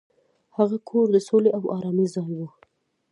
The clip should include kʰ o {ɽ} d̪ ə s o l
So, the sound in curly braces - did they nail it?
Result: no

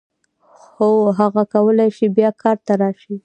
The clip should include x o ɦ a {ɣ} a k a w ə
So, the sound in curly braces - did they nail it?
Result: yes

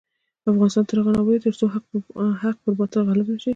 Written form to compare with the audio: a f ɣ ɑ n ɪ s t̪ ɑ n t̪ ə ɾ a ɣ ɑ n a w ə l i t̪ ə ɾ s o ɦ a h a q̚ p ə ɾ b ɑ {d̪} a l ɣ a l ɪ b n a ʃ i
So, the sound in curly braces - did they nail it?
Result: no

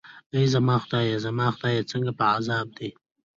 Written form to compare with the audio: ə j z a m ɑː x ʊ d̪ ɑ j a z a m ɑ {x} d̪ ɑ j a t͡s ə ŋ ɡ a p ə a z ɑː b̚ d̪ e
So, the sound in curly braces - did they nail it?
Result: yes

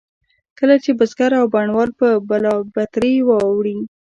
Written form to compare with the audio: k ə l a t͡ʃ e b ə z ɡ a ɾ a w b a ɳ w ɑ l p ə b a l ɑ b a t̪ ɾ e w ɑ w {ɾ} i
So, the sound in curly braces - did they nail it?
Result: no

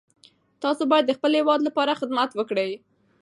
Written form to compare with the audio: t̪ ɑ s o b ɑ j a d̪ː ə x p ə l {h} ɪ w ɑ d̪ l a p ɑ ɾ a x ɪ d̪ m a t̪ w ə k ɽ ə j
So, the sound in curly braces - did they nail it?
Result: yes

